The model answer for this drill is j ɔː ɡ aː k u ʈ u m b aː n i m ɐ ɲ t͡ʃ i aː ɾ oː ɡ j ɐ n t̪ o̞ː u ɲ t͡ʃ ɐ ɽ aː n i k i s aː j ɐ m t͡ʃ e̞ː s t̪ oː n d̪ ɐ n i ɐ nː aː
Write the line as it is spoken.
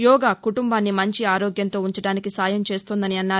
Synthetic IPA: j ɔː ɡ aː k u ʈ u m b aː nː i m ɐ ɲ t͡ʃ i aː ɾ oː ɡ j ɐ n t̪ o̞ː u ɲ t͡ʃ ɐ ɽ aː n i k i s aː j ɐ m t͡ʃ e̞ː s t̪ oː n d̪ ɐ n i ɐ nː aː